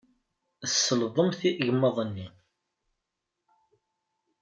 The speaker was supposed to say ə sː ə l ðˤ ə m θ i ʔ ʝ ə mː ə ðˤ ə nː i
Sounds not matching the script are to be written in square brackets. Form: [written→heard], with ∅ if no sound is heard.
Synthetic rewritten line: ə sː ə l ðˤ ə m θ i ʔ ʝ ə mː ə ðˤ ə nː i